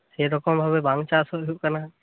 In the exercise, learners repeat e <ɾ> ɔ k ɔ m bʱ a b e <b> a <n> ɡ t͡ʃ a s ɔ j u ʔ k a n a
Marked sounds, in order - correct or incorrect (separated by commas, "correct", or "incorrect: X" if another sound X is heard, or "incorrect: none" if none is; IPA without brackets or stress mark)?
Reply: correct, correct, incorrect: ŋ